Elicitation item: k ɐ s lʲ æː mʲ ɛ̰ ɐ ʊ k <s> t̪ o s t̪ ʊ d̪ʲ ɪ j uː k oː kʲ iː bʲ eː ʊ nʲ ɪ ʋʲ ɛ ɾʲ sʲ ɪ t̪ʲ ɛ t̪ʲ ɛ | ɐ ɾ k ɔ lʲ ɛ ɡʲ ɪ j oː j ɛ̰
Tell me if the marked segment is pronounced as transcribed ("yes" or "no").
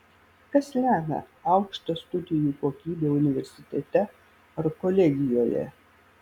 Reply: no